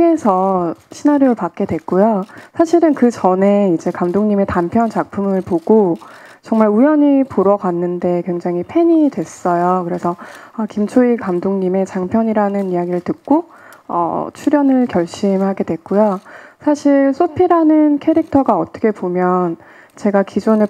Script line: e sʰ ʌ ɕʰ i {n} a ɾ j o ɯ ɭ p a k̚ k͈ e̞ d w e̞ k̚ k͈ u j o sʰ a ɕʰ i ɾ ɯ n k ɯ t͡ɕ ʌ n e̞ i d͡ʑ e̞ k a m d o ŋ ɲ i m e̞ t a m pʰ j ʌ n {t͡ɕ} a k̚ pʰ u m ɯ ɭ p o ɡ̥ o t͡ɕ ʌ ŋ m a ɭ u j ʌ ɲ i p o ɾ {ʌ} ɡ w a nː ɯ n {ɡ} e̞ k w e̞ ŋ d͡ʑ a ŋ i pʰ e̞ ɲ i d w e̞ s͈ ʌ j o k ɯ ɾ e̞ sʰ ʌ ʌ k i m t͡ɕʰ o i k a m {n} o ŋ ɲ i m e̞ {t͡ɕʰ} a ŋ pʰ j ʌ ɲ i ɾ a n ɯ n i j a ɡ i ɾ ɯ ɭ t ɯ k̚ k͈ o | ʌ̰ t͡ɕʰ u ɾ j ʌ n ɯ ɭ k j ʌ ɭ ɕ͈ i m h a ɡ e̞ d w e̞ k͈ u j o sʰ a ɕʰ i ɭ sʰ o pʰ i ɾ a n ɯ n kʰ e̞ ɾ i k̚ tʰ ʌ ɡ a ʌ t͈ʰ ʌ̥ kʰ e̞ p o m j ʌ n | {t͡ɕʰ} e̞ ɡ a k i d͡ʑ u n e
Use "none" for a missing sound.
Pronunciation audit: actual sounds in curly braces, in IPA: n, t͡ɕ, ʌ, d, d, t͡ɕ, t͡ɕ

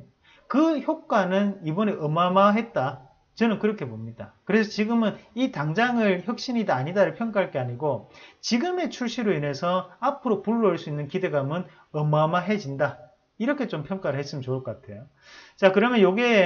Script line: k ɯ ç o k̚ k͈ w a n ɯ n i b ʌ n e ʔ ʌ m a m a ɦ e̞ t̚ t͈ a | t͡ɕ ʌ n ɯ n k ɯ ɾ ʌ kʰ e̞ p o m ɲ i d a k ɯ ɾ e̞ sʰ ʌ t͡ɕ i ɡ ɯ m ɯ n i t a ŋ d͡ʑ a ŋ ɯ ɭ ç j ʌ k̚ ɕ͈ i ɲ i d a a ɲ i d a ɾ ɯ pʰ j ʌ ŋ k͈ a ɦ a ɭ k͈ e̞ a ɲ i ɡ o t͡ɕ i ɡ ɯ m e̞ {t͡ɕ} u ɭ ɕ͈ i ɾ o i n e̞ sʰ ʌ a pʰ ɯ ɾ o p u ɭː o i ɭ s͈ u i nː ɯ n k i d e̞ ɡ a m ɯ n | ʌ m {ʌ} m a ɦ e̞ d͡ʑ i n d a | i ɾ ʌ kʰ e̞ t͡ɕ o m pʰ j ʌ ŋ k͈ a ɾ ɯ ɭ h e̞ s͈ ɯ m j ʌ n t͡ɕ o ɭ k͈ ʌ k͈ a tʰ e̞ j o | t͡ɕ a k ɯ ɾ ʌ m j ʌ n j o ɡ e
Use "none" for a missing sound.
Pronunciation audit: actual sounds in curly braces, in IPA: t͡ɕʰ, a

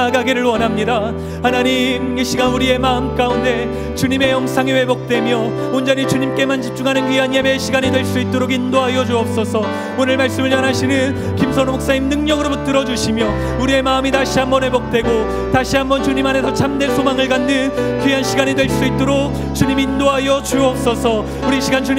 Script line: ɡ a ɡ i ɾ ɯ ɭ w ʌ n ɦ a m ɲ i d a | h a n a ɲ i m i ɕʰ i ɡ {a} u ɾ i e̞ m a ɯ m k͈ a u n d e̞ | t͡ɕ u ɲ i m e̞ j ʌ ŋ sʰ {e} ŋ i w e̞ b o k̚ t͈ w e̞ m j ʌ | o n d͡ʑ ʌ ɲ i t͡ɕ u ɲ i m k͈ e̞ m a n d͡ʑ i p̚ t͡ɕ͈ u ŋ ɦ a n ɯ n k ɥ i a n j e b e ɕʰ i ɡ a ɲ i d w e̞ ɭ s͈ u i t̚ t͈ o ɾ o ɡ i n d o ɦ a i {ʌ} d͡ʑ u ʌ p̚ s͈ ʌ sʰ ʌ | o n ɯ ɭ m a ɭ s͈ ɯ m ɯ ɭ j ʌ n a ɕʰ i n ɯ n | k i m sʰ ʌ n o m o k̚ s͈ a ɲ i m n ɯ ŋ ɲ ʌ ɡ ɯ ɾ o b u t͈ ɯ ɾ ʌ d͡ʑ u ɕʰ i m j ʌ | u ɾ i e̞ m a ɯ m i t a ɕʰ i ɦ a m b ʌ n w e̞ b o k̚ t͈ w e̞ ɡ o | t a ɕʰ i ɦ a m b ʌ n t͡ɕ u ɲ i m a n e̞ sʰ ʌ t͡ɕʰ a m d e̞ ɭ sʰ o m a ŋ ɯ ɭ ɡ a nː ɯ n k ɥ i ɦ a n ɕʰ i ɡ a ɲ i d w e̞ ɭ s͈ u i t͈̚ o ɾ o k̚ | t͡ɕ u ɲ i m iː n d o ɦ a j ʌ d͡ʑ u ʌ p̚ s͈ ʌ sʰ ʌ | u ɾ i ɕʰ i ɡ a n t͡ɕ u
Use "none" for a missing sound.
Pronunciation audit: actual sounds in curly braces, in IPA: a, a, ʌ

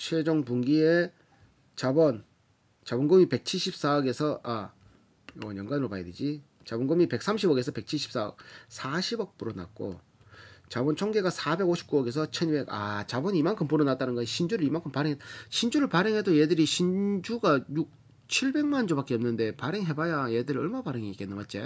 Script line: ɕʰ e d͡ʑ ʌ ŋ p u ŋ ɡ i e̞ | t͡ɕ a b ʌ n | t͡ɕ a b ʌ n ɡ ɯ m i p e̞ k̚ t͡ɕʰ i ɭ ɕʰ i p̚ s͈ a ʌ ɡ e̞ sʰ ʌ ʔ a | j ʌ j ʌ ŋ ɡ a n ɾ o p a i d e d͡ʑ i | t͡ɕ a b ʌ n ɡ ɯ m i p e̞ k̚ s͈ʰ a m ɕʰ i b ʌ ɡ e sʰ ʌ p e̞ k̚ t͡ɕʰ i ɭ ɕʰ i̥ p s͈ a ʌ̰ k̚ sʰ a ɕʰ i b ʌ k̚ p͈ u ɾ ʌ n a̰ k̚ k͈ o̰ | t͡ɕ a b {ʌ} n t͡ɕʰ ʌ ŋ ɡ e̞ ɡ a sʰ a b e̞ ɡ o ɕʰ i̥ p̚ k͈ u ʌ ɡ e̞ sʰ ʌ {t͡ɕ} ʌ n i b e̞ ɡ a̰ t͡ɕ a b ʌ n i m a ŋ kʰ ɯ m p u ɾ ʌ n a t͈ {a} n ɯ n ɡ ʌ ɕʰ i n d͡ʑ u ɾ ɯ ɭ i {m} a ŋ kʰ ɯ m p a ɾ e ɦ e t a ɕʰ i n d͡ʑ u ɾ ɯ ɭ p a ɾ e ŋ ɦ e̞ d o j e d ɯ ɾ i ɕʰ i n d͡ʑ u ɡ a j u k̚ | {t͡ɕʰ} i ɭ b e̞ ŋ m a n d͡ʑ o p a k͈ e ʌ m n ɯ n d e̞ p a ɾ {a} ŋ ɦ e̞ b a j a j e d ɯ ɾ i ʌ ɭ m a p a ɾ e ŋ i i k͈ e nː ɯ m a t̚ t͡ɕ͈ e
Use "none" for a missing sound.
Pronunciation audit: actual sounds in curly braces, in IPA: ʌ, t͡ɕʰ, a, m, t͡ɕʰ, e

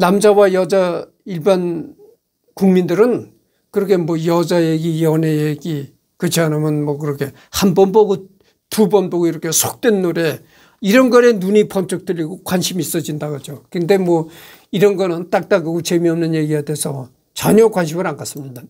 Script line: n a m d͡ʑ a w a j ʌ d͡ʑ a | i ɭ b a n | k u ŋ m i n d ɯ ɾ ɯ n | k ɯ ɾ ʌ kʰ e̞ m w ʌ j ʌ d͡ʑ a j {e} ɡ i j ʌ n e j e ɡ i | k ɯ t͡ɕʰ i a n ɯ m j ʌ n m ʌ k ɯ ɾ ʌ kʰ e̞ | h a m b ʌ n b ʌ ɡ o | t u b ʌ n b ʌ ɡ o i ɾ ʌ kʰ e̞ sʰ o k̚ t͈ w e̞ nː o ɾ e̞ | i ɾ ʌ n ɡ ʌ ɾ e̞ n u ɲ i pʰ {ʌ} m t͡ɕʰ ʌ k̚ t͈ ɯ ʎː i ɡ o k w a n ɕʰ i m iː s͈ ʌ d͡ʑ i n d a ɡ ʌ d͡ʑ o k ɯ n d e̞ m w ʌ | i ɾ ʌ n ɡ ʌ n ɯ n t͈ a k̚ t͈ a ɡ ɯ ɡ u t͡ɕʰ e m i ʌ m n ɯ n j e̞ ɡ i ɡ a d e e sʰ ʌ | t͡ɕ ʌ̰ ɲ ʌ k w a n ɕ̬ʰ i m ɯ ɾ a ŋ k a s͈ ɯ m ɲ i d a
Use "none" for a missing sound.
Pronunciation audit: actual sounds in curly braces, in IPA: e, ʌ

